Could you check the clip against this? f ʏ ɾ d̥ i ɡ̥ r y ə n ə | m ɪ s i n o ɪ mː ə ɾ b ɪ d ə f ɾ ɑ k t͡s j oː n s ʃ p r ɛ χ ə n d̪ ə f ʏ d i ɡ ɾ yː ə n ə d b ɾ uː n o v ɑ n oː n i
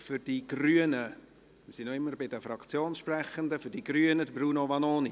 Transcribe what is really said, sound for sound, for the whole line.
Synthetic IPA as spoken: f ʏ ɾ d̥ i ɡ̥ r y ə n ə | m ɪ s i n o ɪ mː ə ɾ b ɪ d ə f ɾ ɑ k t͡s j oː n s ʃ p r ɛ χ ə n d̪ ə f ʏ d i ɡ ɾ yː ə n ə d b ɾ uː n o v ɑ n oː n i